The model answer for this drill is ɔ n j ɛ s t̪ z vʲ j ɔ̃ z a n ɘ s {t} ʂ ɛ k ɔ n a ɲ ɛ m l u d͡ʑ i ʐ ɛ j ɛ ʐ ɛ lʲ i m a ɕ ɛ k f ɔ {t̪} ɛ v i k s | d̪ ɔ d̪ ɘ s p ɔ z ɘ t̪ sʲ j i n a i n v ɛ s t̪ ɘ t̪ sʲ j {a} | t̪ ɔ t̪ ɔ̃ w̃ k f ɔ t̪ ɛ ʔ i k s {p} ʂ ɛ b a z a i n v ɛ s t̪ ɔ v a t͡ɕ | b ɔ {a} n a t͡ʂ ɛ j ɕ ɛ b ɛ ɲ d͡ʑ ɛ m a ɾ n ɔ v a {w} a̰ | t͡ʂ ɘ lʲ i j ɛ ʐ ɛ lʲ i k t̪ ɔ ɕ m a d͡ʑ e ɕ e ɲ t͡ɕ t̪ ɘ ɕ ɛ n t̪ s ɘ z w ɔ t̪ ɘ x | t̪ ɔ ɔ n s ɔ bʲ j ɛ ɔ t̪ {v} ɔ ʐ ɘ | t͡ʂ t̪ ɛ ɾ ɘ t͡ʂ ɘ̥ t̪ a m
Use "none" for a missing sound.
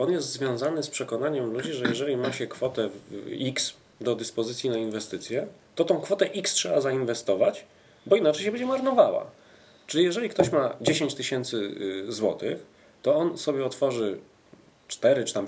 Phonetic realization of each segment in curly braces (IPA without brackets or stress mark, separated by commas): p, t̪, ɛ, t, i, w, f